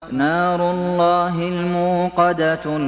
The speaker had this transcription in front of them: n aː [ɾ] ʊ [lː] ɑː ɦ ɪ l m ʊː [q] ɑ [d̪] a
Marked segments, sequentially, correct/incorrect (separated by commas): correct, correct, correct, correct